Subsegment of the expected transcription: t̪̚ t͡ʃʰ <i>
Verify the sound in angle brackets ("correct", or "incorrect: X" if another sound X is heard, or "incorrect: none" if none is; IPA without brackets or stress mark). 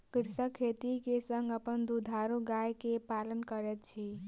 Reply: correct